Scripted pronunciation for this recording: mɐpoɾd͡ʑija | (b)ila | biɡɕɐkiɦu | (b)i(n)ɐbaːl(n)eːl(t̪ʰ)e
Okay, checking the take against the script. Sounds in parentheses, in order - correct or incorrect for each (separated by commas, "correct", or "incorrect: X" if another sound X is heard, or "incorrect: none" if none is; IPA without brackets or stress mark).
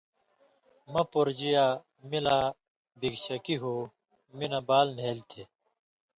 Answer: incorrect: m, incorrect: m, correct, correct, correct